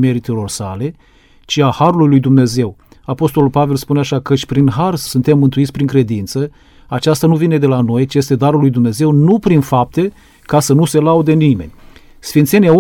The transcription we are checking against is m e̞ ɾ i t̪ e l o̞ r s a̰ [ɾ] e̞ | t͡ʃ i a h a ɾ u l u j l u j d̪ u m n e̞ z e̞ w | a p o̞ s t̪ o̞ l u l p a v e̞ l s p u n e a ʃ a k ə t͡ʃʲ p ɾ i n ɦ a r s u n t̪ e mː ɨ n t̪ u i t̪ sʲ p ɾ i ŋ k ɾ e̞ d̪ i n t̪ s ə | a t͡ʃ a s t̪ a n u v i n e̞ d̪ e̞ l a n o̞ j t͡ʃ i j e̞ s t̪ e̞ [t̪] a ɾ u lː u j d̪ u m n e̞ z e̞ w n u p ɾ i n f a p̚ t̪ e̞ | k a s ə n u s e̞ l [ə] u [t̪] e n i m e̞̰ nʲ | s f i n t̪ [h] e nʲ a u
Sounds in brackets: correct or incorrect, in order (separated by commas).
incorrect, incorrect, incorrect, incorrect, incorrect